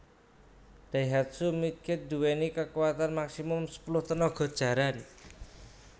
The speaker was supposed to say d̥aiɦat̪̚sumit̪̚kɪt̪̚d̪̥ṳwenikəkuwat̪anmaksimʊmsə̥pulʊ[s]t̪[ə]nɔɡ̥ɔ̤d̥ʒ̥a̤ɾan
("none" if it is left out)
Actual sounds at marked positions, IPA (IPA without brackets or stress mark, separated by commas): h, ə